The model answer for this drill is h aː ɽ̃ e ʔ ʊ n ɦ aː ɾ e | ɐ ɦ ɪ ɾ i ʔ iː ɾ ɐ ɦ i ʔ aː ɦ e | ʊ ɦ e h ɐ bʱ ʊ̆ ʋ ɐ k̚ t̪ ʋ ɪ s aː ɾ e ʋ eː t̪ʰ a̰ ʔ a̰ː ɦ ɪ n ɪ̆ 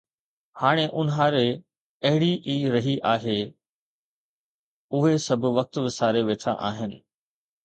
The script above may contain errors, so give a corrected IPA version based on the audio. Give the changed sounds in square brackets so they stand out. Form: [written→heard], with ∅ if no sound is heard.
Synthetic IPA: h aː ɽ̃ e ʔ ʊ n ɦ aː ɾ e | ɐ ɦ ɪ [ɾ→ɽ] i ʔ iː ɾ ɐ ɦ i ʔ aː ɦ e | ʊ ɦ e [h→s] ɐ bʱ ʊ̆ ʋ ɐ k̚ t̪ ʋ ɪ s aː ɾ e ʋ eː t̪ʰ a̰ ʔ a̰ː ɦ ɪ n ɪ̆